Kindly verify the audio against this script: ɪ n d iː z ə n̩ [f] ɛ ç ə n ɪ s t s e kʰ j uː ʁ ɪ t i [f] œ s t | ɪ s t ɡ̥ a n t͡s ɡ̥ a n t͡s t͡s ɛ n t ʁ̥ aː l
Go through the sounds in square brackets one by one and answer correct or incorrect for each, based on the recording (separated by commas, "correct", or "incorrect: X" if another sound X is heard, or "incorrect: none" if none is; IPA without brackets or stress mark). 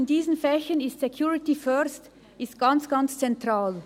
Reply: correct, correct